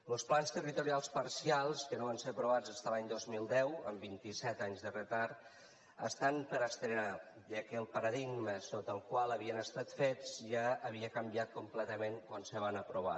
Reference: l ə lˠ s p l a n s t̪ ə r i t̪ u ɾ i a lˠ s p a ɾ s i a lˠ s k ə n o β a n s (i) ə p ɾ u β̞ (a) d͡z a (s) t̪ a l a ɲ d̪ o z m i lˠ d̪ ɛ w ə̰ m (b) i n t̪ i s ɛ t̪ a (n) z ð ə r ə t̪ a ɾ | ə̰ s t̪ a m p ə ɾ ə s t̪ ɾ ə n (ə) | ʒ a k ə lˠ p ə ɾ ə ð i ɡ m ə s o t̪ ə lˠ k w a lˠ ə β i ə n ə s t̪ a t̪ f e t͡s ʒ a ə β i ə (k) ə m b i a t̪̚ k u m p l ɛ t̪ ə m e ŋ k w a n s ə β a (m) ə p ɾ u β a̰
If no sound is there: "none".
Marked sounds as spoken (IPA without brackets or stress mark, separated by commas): e, a, s, b, ɲ, a, k, n